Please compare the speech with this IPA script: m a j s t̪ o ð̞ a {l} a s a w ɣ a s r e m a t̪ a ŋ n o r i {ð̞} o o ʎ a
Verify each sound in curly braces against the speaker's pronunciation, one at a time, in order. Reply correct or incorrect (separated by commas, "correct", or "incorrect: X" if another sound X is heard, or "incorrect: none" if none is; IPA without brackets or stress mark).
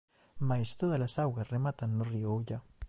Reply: correct, incorrect: none